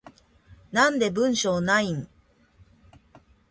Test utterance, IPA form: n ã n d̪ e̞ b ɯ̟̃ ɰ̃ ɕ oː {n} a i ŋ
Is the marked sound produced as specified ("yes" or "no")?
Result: yes